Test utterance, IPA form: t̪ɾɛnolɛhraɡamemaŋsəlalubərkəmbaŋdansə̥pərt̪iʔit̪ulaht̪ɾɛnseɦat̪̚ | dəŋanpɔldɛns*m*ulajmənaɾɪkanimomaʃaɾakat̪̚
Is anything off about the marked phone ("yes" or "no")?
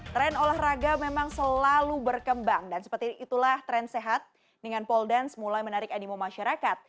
no